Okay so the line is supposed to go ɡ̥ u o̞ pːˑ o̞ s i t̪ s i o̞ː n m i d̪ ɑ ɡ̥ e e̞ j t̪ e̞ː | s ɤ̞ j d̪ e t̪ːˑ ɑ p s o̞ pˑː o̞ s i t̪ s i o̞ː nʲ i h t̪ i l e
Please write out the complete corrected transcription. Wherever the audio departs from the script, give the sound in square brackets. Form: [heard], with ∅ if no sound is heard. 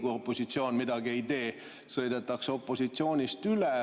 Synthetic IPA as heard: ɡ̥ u o̞ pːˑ o̞ s i t̪ s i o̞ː n m i d̪ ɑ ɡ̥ [i] e̞ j t̪ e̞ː | s ɤ̞ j d̪ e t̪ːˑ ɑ [k] s o̞ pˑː o̞ s i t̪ s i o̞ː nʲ i [s] t̪ [y] l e